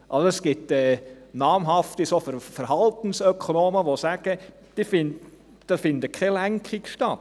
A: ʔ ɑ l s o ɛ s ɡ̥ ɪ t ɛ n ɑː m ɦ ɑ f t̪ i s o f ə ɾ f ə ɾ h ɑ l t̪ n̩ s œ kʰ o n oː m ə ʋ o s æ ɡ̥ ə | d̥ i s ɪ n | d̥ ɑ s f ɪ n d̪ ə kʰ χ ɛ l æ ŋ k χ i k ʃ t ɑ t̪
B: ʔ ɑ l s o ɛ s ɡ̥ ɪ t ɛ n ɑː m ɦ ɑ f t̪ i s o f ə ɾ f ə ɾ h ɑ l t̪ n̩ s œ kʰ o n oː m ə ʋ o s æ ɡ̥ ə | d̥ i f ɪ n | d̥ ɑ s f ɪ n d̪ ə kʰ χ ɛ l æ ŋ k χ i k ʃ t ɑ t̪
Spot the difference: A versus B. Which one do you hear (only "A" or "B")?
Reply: B